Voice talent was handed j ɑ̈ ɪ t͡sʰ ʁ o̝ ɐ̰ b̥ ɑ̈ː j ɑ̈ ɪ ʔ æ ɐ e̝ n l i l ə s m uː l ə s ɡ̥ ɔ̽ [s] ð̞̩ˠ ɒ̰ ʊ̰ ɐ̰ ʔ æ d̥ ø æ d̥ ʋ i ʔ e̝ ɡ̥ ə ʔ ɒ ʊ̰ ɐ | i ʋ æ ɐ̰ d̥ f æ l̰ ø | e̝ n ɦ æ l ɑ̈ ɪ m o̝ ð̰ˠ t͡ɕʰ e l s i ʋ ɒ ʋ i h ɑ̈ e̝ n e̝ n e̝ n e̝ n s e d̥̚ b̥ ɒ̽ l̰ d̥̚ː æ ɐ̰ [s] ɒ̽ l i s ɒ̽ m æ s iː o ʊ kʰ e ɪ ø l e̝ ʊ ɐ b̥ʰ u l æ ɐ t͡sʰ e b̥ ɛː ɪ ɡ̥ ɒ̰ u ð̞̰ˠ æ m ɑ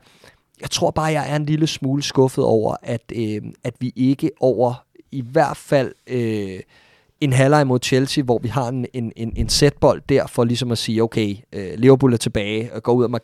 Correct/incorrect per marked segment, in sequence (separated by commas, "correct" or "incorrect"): incorrect, incorrect